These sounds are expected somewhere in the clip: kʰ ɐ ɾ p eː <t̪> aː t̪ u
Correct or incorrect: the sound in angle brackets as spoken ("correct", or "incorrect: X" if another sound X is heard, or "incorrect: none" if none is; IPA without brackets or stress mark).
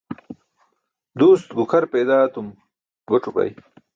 incorrect: d̪